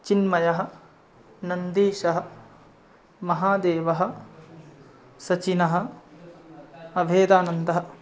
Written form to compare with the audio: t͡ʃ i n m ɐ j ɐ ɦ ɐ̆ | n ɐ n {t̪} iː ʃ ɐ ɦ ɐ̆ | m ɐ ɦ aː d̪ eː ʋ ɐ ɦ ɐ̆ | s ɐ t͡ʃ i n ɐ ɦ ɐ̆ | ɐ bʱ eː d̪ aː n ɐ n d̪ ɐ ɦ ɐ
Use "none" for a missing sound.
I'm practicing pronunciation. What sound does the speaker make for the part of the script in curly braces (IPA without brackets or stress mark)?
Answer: d̪